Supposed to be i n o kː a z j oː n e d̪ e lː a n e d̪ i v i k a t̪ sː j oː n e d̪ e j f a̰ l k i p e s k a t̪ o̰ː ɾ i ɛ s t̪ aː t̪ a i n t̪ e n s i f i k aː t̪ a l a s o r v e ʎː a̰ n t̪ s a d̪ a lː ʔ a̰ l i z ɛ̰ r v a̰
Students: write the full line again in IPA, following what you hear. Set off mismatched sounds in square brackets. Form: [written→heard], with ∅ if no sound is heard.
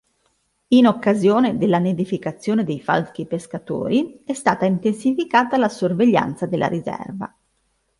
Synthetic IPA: i n o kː a z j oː n e d̪ e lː a n e d̪ i [v→f] i k a t̪ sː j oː n e d̪ e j f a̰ l k i p e s k a t̪ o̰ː ɾ i ɛ s t̪ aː t̪ a i n t̪ e n s i f i k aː t̪ a l a s o r v e ʎː a̰ n t̪ s a d̪ [a→e] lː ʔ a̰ [l→ɾ] i z ɛ̰ r v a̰